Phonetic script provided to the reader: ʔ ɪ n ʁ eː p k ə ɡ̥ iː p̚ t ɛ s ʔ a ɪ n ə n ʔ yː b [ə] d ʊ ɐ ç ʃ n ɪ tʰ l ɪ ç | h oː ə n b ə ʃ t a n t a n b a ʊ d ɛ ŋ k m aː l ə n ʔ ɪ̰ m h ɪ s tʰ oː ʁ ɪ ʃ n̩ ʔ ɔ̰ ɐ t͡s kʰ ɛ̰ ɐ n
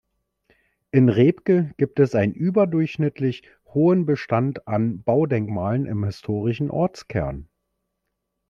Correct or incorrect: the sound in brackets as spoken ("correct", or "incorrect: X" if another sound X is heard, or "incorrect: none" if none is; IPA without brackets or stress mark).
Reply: incorrect: ɐ